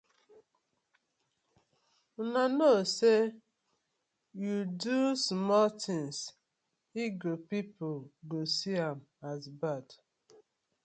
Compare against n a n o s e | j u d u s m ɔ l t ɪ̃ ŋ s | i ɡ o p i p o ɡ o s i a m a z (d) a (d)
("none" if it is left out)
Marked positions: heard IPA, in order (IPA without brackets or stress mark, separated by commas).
b, d